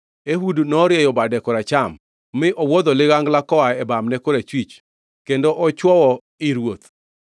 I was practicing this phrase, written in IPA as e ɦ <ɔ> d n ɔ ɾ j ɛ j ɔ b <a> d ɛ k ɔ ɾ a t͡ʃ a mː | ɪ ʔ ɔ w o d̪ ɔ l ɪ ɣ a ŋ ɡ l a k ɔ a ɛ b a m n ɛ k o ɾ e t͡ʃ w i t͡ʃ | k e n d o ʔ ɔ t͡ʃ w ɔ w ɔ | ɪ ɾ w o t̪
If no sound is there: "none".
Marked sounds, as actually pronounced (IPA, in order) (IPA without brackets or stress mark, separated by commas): u, a